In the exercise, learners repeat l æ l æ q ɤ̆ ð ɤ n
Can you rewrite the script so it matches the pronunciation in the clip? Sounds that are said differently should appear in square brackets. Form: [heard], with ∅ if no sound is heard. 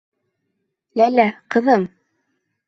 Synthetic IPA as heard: l æ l æ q ɤ̆ ð ɤ [m]